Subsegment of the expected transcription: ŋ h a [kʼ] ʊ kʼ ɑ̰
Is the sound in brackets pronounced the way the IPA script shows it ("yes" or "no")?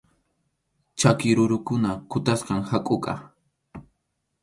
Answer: yes